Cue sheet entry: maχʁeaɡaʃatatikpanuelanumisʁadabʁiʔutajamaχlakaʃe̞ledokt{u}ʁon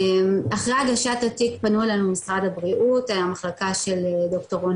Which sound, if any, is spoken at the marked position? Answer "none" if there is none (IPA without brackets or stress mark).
o